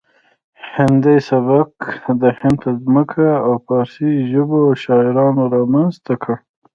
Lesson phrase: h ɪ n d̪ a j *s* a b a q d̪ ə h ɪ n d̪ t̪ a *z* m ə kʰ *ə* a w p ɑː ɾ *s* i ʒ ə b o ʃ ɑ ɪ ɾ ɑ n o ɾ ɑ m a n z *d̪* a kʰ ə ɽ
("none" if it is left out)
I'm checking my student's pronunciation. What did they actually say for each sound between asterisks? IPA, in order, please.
s, z, a, s, t̪

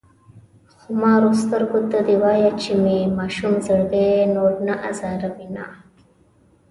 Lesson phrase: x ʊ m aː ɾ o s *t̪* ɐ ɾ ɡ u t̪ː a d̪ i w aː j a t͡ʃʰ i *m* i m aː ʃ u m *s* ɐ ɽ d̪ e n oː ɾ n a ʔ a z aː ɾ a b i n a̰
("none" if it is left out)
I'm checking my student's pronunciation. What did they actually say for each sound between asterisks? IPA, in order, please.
t̪, m, z

